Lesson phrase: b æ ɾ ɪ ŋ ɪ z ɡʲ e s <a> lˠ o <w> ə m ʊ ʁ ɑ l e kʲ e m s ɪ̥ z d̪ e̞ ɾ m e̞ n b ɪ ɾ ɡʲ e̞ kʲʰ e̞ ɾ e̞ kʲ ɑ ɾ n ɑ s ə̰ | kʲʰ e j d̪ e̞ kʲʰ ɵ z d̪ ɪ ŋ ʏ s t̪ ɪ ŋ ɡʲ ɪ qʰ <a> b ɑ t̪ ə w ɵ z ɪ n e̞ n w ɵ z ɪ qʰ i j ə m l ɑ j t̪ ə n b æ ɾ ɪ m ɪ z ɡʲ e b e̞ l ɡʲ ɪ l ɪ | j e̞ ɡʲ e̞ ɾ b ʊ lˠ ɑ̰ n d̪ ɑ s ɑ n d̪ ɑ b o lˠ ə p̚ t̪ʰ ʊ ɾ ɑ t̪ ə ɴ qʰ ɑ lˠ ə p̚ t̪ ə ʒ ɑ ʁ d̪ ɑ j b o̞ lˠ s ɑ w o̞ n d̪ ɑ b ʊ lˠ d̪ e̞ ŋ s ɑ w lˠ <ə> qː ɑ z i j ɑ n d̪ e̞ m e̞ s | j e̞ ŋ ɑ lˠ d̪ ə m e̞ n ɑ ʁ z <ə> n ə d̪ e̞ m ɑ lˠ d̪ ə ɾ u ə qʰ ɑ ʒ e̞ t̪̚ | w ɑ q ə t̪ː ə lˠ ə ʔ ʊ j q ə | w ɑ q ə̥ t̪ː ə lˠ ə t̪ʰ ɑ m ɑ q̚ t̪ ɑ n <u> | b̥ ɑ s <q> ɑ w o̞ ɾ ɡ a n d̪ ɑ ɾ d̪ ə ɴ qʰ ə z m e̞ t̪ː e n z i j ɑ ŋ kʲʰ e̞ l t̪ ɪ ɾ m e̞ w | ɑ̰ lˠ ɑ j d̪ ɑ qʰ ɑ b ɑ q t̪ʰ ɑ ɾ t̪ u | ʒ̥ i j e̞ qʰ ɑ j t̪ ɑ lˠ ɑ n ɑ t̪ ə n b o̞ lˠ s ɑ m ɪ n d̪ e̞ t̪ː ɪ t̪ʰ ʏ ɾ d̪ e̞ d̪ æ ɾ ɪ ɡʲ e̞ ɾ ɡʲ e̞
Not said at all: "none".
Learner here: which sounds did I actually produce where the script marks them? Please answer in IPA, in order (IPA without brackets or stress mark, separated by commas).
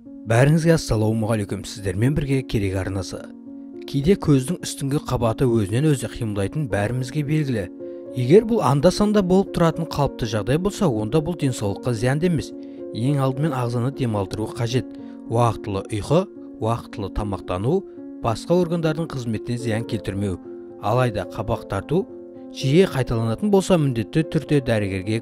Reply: ɑ, w, ɑ, ə, ɑ, u, q